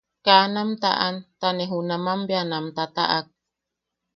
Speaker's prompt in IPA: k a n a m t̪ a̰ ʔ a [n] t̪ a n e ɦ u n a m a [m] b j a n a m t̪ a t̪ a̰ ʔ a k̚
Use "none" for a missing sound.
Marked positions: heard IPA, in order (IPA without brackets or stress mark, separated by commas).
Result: n, m